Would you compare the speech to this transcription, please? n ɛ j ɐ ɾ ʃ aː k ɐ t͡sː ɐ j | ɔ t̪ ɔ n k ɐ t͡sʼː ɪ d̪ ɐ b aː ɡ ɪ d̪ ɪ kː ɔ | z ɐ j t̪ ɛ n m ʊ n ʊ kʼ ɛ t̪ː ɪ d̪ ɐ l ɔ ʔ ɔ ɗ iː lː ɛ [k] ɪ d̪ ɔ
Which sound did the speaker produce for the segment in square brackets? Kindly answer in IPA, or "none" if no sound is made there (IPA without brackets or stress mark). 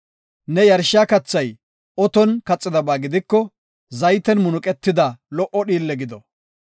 ɡ